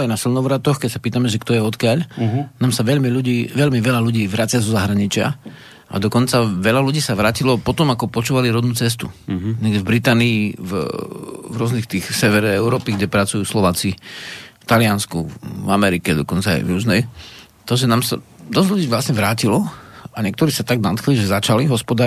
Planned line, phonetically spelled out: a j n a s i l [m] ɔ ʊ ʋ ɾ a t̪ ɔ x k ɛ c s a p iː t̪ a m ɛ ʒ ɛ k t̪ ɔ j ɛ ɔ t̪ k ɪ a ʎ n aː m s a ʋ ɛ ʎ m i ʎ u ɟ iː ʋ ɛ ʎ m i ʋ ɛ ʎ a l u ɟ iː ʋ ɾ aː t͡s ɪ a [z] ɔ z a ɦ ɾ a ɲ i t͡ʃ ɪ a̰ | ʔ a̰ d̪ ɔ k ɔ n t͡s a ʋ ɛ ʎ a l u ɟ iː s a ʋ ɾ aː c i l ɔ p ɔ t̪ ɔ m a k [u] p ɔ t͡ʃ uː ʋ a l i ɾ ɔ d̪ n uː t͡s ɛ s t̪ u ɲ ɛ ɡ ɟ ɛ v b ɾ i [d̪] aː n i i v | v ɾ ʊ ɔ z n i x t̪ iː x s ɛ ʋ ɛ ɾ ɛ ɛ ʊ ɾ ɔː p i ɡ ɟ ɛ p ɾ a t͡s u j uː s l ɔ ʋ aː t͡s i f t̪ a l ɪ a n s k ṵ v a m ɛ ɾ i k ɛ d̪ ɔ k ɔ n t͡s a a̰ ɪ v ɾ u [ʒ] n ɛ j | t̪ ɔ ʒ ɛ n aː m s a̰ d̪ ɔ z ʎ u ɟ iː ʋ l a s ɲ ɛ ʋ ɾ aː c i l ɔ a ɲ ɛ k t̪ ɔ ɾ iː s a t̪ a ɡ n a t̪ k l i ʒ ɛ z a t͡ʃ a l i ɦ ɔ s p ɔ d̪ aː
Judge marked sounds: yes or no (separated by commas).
no, yes, no, no, no